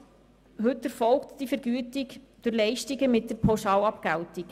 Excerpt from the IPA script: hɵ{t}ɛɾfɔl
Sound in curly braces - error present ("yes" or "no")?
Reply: no